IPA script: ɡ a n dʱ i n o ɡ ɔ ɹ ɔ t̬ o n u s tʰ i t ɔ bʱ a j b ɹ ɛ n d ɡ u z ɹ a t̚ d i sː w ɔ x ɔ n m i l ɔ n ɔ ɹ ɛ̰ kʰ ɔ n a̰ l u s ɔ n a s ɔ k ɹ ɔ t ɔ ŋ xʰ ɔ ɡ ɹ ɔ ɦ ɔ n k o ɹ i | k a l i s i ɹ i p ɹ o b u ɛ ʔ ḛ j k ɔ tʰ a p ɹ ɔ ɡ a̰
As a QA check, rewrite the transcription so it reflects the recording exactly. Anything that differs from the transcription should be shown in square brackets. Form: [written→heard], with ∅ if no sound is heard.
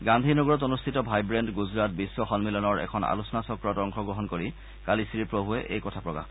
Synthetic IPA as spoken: ɡ a n dʱ i n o ɡ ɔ ɹ ɔ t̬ o n u s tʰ i t ɔ bʱ a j b ɹ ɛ n d ɡ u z ɹ a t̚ [d→b] i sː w ɔ x ɔ n m i l ɔ n ɔ ɹ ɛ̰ kʰ ɔ n a̰ l u s ɔ n a s ɔ k ɹ ɔ t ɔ ŋ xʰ ɔ ɡ ɹ ɔ ɦ ɔ n k o ɹ i | k a l i s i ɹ i p ɹ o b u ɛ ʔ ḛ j k ɔ tʰ a p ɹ ɔ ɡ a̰